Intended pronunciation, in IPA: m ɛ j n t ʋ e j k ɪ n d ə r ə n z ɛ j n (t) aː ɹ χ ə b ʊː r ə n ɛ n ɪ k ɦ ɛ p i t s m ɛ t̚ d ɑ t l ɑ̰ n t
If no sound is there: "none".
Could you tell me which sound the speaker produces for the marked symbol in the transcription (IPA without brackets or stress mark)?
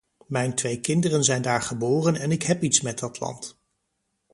d